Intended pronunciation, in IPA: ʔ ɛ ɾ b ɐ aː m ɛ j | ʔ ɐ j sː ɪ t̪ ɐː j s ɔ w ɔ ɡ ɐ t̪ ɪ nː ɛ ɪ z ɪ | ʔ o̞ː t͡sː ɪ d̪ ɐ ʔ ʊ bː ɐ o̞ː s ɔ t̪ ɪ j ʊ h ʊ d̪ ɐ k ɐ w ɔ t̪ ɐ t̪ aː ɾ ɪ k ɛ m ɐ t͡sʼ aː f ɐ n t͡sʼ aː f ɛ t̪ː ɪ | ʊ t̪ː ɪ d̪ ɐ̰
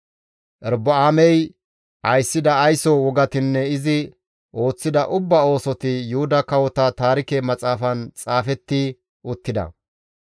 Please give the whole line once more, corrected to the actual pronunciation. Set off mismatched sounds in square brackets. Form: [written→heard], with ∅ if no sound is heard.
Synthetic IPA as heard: ʔ ɛ ɾ b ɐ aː m ɛ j | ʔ ɐ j sː ɪ [t̪→d̪] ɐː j s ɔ w ɔ ɡ ɐ t̪ ɪ nː ɛ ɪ z ɪ | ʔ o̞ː t͡sː ɪ d̪ ɐ ʔ ʊ bː ɐ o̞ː s ɔ t̪ ɪ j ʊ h ʊ d̪ ɐ k ɐ w ɔ t̪ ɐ t̪ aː ɾ ɪ k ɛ m ɐ t͡sʼ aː f ɐ n t͡sʼ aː f ɛ t̪ː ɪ | ʊ t̪ː ɪ d̪ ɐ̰